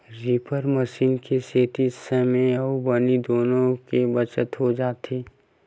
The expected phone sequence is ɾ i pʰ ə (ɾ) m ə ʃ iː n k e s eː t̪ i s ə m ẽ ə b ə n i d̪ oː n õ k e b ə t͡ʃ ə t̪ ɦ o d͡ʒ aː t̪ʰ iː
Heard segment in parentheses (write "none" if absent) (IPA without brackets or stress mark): ɾ